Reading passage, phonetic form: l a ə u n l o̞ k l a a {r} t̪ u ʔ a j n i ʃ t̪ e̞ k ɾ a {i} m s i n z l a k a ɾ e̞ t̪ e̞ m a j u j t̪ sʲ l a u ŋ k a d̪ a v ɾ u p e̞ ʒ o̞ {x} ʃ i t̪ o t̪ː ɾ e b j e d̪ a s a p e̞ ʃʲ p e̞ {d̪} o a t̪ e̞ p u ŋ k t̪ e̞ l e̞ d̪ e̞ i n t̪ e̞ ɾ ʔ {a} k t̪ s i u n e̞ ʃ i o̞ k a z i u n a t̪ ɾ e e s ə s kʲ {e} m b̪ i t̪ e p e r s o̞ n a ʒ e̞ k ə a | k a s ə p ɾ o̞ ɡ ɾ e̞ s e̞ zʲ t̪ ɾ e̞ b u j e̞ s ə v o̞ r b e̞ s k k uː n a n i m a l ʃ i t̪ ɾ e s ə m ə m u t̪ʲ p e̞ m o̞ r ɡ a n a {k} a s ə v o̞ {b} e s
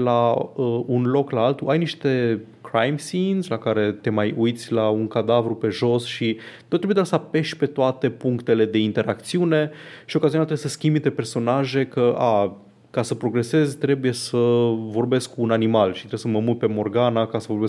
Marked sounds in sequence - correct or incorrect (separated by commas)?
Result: incorrect, incorrect, incorrect, incorrect, correct, incorrect, correct, correct